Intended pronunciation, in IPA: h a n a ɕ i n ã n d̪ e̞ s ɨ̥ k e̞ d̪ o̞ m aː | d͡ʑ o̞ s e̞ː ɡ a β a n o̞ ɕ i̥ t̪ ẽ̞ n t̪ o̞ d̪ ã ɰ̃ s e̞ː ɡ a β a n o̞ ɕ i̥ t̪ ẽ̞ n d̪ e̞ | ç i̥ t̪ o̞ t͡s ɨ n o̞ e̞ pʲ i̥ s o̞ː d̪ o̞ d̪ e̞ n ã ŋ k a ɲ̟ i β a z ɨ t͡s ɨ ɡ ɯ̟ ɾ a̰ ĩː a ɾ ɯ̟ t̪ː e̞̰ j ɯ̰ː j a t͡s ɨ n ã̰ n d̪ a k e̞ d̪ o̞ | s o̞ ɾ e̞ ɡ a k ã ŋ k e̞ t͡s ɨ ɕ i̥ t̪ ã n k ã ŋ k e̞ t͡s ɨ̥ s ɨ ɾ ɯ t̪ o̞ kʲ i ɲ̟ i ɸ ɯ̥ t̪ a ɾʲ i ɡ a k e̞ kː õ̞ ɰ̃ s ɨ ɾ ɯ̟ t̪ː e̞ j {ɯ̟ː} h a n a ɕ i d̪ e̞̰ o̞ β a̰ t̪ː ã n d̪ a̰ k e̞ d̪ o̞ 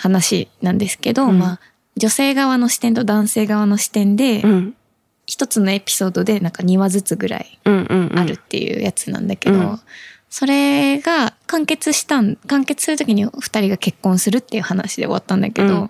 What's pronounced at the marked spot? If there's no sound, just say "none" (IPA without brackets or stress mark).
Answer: ɯ̟